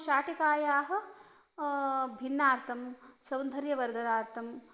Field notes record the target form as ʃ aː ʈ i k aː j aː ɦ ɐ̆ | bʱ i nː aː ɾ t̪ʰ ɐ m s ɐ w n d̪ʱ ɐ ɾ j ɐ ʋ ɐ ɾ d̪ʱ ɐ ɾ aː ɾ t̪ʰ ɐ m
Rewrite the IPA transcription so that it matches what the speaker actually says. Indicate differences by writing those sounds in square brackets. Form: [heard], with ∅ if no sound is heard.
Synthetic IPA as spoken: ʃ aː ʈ i k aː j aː ɦ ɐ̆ | bʱ i nː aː ɾ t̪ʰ ɐ m s ɐ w n d̪ʱ ɐ ɾ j ɐ ʋ ɐ ɾ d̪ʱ ɐ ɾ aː ɾ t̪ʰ ɐ m